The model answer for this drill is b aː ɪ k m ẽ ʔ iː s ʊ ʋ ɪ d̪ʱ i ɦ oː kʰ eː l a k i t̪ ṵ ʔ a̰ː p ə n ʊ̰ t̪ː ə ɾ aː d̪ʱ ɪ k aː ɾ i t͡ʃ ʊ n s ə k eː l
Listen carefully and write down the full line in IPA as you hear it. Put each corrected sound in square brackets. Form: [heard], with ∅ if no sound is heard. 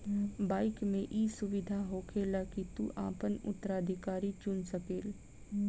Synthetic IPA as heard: b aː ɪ k m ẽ ʔ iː s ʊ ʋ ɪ d̪ʱ [a] ɦ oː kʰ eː l a k i t̪ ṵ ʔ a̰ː p ə n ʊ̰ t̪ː ə ɾ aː d̪ʱ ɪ k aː ɾ i t͡ʃ ʊ n s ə k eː l